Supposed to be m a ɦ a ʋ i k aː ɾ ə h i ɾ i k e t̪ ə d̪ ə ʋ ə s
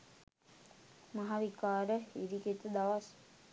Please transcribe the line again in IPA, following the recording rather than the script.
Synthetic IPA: m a ɦ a ʋ i k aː ɾ ə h i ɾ i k e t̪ ə d̪ a ʋ a s

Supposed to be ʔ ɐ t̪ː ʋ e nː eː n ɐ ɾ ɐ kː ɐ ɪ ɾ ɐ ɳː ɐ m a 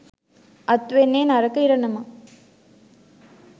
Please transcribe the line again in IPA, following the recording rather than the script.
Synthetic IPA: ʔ ɐ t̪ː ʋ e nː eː n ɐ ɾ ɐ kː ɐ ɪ ɾ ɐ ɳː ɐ m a

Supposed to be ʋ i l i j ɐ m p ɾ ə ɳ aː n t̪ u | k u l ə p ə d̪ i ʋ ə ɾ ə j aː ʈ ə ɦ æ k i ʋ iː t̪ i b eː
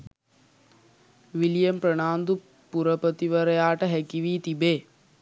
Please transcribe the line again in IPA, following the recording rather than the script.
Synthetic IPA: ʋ i l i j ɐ m p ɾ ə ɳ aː n d̪ u | p u ɾ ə p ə t̪ i ʋ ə ɾ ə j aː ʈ ə ɦ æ k i ʋ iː t̪ i b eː

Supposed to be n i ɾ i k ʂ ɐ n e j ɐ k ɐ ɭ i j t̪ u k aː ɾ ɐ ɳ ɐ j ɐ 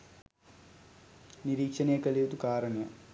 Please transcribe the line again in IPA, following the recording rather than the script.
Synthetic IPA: n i ɾ iː k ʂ ɐ n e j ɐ k ɐ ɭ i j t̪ u k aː ɾ ɐ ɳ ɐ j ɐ

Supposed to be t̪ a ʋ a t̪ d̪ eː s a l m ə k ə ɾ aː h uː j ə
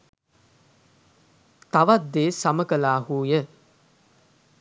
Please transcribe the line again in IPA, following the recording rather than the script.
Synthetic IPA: t̪ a ʋ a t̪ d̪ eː s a m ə k ə l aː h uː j ə

